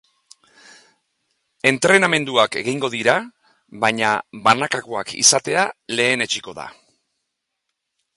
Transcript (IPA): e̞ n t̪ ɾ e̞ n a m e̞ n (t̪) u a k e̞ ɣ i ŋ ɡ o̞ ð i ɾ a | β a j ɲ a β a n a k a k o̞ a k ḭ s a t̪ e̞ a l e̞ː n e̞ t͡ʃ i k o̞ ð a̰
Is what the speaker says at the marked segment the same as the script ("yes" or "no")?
no